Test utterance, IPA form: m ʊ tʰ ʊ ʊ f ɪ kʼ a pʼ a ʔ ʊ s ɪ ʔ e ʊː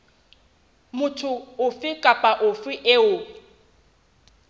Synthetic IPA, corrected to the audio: m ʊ tʰ ʊ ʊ f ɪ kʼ a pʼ a ʔ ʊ f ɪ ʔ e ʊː